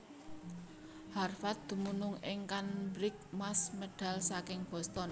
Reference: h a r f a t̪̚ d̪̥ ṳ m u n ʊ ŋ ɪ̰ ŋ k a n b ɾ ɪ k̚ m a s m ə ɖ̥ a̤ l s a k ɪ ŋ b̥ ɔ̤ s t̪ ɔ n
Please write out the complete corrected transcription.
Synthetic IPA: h a r f a t̪̚ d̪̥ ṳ m u n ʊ ŋ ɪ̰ ŋ k a n b ɾ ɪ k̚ m a s m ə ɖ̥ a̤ l s a k ɪ ŋ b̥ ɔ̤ s t̪ ɔ n